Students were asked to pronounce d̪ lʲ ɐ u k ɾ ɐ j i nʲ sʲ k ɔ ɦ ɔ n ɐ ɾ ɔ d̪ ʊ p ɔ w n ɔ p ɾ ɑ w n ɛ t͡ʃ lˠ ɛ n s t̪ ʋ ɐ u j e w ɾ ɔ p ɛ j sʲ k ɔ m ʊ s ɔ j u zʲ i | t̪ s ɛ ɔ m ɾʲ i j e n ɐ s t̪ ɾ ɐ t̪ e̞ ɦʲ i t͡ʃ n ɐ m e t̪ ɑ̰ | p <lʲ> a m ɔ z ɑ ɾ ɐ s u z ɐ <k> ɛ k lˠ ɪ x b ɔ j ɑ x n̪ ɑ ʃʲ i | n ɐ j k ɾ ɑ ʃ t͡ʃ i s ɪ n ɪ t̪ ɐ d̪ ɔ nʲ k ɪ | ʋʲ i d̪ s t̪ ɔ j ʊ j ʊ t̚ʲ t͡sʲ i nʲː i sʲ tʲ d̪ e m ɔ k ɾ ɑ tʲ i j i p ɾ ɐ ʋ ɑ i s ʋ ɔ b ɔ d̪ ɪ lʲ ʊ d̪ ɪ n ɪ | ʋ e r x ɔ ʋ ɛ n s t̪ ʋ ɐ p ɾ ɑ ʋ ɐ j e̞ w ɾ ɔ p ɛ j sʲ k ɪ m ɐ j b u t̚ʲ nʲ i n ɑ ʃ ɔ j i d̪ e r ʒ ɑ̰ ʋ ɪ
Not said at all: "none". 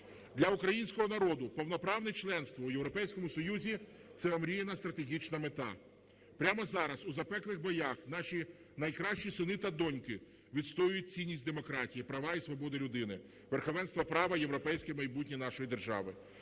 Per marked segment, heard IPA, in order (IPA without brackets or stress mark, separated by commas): ɾʲ, p